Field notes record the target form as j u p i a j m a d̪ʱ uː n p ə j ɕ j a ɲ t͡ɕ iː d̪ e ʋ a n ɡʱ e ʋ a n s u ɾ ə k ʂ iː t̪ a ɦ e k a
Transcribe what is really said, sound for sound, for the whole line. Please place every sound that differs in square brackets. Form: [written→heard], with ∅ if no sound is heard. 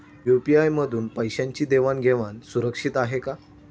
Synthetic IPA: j u p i a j m [a→ə] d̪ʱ uː n p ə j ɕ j a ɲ t͡ɕ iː d̪ e ʋ a n ɡʱ e ʋ a n s u ɾ ə k ʂ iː t̪ a ɦ e k a